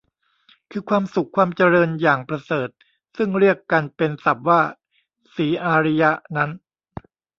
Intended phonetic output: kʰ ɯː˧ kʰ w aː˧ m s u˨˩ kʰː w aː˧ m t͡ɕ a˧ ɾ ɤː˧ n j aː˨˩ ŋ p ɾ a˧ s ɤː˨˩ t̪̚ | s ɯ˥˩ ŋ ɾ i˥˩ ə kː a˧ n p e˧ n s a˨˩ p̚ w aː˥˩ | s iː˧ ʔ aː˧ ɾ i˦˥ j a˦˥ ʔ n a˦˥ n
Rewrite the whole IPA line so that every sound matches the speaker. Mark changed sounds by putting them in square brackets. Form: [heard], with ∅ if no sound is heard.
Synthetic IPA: kʰ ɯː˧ kʰ w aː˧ m s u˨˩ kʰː w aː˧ m t͡ɕ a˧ ɾ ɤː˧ n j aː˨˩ ŋ p ɾ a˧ s ɤː˨˩ t̪̚ | s ɯ˥˩ ŋ ɾ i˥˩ ə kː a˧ n p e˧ n s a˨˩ p̚ w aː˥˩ | s [iː˩˦] ʔ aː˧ ɾ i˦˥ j a˦˥ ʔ n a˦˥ n